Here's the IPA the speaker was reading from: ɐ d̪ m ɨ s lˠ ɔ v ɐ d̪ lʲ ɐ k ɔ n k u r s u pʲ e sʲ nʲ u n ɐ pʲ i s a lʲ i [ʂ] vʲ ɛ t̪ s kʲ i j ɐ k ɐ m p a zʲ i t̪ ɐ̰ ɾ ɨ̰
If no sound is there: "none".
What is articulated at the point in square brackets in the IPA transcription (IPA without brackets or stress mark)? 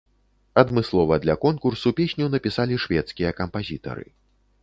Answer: ʂ